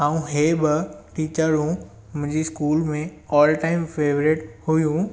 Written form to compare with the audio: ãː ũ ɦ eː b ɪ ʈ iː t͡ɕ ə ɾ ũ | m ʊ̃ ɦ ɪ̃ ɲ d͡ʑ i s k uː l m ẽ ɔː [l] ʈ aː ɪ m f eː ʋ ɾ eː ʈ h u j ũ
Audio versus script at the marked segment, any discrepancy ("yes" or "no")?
no